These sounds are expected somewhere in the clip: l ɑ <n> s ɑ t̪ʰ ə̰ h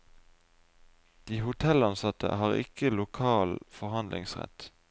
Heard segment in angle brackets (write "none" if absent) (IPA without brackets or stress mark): n